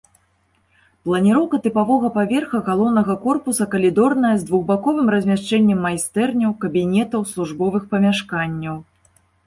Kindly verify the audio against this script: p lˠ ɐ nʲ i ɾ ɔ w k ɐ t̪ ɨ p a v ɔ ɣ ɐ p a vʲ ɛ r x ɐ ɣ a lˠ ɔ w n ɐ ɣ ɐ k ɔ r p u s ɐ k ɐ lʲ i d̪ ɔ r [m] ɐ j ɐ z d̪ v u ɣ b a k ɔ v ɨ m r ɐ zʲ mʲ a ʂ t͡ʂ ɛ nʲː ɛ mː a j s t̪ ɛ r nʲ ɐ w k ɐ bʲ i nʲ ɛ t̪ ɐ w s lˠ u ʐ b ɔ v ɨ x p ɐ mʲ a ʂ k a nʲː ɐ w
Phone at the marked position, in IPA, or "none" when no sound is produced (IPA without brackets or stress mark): n